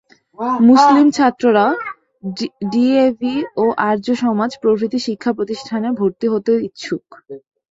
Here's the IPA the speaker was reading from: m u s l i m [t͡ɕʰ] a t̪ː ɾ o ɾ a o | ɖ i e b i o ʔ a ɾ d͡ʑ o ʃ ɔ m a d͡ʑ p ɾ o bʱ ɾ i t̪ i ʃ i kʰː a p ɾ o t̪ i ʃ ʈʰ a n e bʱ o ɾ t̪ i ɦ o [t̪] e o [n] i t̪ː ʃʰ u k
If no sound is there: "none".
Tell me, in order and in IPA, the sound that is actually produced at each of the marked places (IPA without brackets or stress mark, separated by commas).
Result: t͡ɕʰ, t̪, none